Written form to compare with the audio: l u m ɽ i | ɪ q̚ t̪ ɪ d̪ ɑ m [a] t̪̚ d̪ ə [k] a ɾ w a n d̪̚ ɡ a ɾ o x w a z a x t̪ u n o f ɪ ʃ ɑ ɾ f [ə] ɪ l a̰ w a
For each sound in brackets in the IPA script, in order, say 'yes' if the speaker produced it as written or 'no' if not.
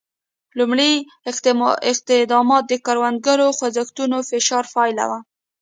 no, yes, no

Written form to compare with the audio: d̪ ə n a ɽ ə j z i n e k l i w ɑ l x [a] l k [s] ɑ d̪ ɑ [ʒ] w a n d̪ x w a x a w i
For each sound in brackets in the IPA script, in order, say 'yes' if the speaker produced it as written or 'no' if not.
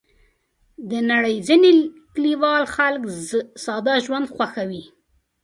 yes, yes, yes

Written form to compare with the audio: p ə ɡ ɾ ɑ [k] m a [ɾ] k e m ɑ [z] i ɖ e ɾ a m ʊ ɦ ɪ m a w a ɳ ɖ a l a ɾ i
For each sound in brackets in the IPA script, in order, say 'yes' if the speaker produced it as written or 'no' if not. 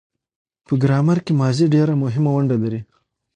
no, yes, yes

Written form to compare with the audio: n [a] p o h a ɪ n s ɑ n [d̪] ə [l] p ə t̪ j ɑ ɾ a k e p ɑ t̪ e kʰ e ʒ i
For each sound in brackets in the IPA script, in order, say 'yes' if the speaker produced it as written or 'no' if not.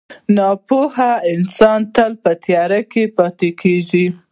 no, no, yes

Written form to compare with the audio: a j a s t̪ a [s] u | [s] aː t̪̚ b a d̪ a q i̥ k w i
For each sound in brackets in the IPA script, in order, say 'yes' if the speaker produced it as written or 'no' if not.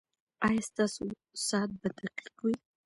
yes, yes

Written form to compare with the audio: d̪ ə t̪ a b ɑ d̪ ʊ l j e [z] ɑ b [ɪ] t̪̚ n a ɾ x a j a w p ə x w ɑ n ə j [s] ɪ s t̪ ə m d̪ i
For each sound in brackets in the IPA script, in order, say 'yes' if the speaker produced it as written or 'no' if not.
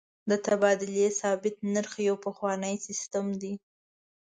no, yes, yes

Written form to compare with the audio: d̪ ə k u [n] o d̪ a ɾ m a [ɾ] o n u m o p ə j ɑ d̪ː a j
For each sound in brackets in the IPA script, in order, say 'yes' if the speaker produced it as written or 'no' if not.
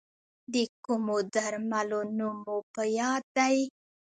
no, no

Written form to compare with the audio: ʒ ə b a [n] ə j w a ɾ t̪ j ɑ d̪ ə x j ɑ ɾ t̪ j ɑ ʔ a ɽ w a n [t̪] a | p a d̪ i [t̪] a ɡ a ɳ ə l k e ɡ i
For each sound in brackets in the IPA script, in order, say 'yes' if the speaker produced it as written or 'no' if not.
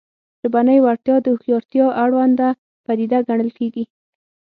yes, no, no

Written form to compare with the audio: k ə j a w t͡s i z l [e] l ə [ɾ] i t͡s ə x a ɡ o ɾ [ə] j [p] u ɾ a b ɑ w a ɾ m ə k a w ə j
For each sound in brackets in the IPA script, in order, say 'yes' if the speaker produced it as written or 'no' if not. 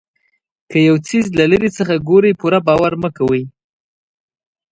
no, yes, yes, yes

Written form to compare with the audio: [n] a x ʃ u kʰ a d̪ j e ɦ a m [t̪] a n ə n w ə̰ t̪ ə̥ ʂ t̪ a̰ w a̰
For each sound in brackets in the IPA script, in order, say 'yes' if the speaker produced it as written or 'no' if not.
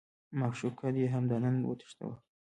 no, no

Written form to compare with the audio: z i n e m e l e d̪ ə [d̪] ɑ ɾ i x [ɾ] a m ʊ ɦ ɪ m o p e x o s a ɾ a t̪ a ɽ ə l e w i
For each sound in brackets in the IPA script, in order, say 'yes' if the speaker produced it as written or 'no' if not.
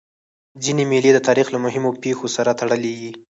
no, no

